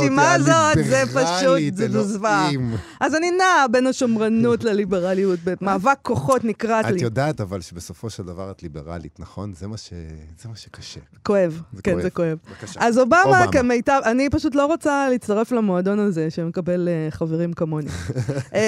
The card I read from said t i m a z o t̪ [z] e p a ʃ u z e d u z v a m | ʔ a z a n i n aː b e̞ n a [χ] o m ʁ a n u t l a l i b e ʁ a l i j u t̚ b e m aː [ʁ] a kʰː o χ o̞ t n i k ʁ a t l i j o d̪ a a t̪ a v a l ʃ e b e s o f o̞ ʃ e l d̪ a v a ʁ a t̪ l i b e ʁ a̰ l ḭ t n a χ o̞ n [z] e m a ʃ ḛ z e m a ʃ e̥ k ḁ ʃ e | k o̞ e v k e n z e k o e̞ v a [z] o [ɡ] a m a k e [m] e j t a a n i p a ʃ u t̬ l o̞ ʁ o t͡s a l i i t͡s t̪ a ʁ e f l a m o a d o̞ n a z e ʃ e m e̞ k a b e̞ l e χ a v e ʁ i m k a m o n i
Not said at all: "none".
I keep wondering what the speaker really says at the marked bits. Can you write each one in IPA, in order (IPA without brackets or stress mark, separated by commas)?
z, ʃ, v, z, z, b, m